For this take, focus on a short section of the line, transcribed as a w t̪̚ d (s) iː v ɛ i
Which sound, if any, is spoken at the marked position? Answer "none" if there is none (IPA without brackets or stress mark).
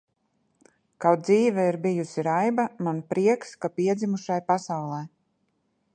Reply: z